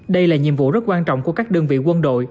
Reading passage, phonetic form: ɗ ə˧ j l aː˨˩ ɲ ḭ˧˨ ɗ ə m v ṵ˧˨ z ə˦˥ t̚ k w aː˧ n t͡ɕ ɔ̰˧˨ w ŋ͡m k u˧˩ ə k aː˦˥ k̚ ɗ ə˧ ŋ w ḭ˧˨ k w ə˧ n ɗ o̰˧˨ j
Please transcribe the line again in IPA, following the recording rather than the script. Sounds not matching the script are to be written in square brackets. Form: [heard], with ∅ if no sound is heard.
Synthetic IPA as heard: ɗ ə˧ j l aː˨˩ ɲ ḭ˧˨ [∅] ə m v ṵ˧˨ z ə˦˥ t̚ k w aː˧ n t͡ɕ ɔ̰˧˨ w ŋ͡m k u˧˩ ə k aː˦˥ k̚ ɗ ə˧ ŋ [v] ḭ˧˨ k w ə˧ n ɗ o̰˧˨ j